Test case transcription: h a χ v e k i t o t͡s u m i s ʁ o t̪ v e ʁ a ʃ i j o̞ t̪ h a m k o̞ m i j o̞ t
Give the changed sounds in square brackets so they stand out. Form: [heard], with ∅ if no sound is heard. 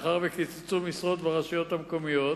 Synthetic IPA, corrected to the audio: [χ] a [ʁ] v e k i [t͡s] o t͡s u m i s ʁ o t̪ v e ʁ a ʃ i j o̞ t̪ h a m k o̞ m i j o̞ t